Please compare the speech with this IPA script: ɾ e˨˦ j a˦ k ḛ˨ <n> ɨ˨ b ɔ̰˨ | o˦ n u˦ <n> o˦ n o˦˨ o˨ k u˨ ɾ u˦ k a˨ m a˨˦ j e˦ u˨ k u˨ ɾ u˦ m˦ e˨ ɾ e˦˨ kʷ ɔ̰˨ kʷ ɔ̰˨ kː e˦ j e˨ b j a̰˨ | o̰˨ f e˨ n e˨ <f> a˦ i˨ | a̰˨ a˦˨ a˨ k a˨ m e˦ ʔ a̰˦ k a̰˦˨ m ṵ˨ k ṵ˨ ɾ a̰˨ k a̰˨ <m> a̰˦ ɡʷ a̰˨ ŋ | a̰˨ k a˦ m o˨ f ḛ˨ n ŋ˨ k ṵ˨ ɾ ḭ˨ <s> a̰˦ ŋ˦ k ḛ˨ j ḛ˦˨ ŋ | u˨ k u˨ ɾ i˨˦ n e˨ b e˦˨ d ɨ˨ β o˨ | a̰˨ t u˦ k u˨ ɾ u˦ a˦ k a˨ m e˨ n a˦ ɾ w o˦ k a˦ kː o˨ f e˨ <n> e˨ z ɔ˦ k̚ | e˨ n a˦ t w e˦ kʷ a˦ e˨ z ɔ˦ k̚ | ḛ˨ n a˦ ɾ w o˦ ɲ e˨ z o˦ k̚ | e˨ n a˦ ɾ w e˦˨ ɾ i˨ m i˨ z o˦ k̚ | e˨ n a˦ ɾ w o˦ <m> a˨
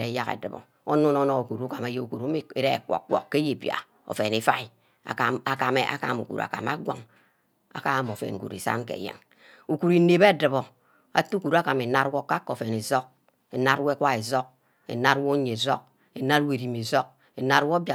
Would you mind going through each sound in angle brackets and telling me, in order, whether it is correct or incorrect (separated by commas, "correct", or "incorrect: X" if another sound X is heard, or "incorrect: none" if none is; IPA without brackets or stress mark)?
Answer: incorrect: d, correct, correct, correct, correct, correct, incorrect: b